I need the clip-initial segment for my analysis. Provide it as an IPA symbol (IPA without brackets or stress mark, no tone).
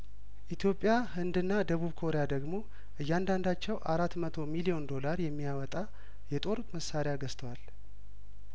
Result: ʔ